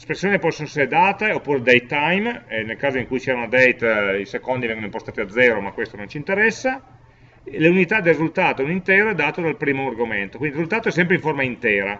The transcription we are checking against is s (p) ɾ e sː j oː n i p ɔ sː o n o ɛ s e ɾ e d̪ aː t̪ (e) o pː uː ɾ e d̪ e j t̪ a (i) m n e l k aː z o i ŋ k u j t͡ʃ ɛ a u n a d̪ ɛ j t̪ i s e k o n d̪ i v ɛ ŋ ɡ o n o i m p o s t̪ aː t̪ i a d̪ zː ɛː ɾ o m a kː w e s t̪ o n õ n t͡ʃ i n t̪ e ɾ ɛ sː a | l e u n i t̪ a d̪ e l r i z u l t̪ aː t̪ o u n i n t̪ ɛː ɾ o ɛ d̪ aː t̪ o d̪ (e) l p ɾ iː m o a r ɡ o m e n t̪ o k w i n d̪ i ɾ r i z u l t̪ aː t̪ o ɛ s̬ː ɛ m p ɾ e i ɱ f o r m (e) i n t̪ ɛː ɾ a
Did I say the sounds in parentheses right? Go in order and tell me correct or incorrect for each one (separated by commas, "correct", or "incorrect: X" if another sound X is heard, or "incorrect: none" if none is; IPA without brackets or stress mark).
correct, correct, incorrect: j, incorrect: a, incorrect: a